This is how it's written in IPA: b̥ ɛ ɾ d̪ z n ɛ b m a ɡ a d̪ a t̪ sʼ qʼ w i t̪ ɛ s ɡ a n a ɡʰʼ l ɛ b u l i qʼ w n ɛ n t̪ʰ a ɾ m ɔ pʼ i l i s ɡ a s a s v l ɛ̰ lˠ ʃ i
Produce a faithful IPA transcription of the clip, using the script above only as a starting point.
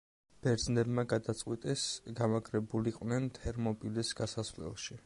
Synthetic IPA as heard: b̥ ɛ ɾ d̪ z n ɛ b m a ɡ a d̪ a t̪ sʼ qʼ w i t̪ʼ ɛ s ɡ a m a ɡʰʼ ɾ ɛ b u l i qʼ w n ɛ n t̪ʰ ɛ ɾ m ɔ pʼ i l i s ɡ a s a s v l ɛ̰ lˠ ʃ i